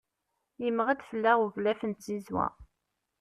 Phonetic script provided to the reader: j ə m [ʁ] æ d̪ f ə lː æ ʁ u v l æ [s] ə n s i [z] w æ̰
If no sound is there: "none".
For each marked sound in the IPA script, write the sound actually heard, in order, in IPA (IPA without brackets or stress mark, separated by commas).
ʁ, f, z